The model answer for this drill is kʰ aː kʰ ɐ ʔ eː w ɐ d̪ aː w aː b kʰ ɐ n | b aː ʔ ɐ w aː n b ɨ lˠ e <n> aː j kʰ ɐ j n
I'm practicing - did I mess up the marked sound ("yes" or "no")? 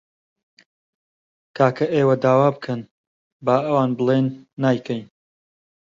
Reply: yes